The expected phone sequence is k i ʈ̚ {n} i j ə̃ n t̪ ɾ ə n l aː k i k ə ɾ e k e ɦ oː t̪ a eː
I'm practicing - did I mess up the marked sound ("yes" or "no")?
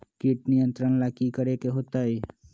no